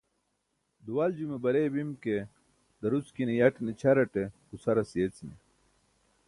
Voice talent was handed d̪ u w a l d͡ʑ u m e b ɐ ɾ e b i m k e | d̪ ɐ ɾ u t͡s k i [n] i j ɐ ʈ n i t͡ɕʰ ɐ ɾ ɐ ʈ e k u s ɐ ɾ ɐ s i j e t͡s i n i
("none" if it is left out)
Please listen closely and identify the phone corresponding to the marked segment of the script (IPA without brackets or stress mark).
n